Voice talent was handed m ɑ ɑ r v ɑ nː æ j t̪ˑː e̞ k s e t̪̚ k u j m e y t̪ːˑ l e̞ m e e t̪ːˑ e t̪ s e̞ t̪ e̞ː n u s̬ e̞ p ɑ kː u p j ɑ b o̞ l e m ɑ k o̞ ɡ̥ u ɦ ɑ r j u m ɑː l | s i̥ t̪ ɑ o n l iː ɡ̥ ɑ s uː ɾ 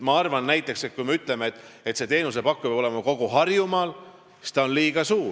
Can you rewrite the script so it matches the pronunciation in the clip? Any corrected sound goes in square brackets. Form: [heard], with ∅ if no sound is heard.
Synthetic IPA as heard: m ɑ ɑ r v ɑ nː æ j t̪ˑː e̞ k s e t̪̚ k u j m e y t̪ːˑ l e̞ m e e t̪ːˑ e t̪ s e̞ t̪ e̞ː n u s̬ e̞ p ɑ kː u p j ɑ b o̞ l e m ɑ k o̞ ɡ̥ u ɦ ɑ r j u m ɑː l | s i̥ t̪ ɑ o n l iː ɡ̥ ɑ s uː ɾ